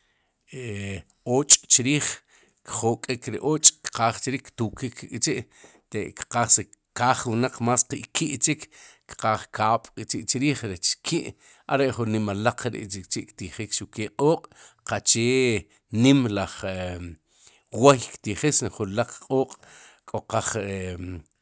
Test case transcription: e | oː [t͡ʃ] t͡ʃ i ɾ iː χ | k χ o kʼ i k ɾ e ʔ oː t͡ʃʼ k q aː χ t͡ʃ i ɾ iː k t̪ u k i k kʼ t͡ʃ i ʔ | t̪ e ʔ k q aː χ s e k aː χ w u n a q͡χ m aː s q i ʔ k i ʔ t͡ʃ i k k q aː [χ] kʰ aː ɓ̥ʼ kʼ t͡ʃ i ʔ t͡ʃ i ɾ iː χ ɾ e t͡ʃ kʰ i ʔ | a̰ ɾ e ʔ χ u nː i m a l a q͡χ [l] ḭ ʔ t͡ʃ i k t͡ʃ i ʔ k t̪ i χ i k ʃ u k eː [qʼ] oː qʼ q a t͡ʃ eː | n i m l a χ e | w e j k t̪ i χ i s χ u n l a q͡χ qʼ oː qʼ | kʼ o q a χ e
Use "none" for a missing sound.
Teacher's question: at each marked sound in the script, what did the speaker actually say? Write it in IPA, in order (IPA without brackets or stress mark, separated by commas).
t͡ʃʼ, χ, ɾ, qʼ